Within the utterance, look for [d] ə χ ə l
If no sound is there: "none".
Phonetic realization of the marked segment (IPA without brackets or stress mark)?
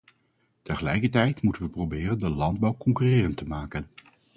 t